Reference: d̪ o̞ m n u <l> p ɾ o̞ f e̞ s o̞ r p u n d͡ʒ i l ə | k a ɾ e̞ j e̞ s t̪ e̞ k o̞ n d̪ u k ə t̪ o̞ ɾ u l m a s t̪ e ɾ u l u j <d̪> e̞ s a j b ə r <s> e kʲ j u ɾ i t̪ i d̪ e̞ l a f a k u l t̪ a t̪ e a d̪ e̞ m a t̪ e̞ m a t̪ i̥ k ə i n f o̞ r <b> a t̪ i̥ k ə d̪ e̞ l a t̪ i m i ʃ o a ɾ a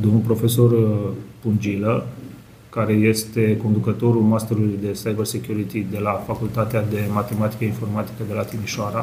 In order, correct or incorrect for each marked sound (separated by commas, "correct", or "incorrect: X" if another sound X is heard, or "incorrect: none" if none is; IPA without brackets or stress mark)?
correct, correct, correct, incorrect: m